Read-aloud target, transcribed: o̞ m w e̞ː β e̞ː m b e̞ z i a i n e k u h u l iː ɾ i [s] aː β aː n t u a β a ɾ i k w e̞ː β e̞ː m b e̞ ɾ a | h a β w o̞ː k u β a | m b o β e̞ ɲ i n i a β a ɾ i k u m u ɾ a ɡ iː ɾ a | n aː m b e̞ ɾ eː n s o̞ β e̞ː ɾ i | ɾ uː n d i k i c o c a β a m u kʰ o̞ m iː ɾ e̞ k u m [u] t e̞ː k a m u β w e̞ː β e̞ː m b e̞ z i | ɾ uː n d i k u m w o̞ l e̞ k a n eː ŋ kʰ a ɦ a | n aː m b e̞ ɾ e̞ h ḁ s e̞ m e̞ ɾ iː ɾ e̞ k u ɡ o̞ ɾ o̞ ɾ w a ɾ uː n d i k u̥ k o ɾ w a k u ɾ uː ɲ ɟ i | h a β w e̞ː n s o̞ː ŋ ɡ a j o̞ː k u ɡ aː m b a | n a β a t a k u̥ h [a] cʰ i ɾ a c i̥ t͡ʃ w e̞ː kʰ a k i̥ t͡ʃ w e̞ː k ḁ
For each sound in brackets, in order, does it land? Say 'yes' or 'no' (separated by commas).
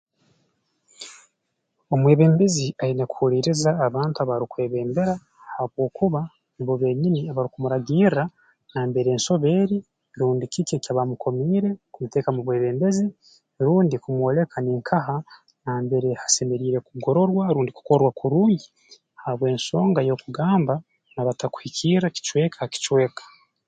no, yes, no